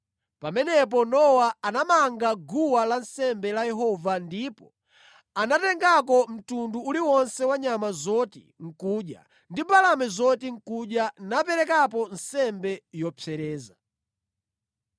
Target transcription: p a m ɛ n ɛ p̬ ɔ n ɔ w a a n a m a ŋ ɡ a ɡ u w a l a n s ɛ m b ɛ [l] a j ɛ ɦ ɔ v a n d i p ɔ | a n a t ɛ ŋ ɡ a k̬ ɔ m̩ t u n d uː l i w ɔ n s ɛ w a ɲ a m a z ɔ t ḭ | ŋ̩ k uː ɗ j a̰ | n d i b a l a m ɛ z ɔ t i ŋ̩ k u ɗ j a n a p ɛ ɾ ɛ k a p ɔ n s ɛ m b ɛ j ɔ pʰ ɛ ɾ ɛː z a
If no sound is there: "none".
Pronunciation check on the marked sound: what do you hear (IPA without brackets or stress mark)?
l